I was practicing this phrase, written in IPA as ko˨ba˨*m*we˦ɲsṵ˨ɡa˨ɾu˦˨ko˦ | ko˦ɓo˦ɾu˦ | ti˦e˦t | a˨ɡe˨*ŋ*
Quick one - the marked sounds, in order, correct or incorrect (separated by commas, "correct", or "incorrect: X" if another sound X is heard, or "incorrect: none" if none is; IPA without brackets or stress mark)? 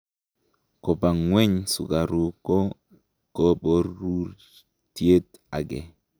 incorrect: ŋ, incorrect: none